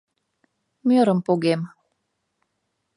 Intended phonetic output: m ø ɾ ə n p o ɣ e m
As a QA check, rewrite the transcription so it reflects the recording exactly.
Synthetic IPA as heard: m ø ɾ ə m p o ɣ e m